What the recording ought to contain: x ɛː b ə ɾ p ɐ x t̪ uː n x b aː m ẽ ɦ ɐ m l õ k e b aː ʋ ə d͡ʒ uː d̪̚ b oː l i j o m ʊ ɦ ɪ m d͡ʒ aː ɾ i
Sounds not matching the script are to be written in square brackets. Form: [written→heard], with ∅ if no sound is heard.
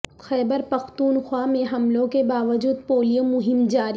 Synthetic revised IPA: x ɛː b ə ɾ p ɐ x t̪ uː n x [b→w] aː m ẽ ɦ ɐ m l õ k e b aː ʋ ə d͡ʒ uː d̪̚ [b→p] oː l i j o m ʊ ɦ ɪ m d͡ʒ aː ɾ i